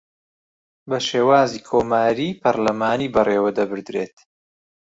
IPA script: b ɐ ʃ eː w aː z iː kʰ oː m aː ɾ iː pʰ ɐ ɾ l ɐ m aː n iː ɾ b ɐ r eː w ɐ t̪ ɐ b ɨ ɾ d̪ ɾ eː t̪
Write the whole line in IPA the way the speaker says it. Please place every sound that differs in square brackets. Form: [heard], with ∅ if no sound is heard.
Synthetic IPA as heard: b ɐ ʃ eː w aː z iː kʰ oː m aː ɾ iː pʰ ɐ ɾ l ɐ m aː n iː [∅] b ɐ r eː w ɐ [d̪] ɐ b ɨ ɾ d̪ ɾ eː t̪